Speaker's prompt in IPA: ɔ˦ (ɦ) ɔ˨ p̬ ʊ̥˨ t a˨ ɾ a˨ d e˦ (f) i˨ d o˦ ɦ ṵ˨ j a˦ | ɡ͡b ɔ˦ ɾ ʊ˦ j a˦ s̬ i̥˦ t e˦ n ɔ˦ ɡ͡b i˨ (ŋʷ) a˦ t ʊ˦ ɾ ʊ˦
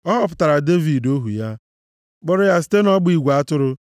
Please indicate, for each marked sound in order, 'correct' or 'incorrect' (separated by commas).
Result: correct, incorrect, incorrect